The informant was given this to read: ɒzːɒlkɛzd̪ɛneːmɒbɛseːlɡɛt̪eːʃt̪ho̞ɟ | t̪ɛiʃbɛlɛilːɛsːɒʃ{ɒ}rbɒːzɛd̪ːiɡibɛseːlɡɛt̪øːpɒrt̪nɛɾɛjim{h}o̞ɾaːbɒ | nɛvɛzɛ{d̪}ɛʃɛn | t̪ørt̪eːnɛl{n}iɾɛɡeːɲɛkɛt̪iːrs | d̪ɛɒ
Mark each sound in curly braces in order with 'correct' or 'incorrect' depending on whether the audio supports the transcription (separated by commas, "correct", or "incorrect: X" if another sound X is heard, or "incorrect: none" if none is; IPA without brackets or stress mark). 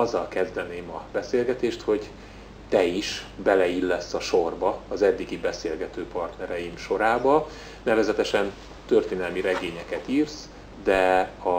incorrect: o, incorrect: ʃ, incorrect: t̪, incorrect: m